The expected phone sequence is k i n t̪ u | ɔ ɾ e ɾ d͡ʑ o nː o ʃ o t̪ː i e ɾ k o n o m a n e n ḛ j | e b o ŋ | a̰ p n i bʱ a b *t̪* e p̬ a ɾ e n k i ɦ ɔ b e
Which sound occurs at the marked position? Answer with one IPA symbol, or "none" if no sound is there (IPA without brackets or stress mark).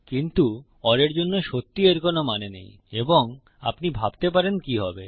t̪